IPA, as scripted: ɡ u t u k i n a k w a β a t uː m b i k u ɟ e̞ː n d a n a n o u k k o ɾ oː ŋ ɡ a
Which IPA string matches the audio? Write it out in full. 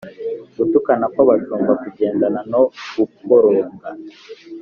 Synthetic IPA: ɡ u t u k a n a k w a β a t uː m b a k u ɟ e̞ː n d a n a n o u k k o ɾ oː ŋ ɡ a